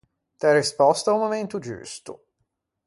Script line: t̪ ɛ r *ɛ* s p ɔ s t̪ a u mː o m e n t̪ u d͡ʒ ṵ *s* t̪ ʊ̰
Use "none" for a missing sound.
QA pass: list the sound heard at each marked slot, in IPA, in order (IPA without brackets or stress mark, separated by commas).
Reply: i, s